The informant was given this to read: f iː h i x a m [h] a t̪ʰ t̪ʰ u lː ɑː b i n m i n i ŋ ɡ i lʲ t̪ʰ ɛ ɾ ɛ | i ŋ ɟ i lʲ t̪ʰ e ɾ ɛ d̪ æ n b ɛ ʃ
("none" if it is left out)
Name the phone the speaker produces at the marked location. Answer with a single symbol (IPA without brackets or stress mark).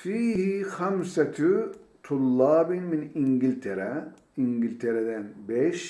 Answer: s